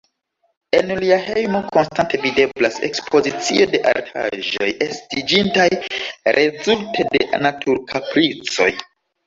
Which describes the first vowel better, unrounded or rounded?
unrounded